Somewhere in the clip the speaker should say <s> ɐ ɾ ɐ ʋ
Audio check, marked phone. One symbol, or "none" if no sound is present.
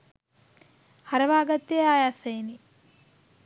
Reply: h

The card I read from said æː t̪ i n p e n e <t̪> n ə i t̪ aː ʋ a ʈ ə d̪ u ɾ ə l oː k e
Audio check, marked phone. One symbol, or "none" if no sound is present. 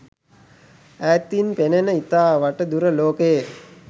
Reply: none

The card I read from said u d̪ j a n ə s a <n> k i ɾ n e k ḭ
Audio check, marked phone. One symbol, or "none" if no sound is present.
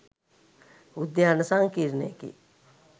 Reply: ŋ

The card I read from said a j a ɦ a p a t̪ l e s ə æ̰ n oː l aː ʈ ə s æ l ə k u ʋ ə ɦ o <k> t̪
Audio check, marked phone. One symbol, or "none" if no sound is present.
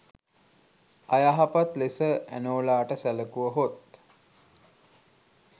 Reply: none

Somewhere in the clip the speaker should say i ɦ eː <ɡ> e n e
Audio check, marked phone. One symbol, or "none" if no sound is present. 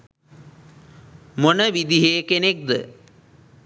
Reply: k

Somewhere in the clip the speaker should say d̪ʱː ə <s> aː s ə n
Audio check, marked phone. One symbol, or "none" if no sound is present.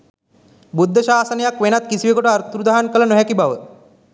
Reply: ʃ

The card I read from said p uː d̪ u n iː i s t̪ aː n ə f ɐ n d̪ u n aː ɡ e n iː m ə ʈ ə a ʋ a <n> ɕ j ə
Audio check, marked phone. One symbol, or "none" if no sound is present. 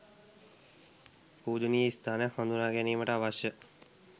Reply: none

